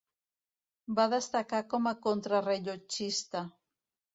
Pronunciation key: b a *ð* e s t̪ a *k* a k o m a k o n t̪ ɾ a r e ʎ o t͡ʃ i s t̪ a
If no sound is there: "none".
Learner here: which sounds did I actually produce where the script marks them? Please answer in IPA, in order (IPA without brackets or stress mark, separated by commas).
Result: ð, k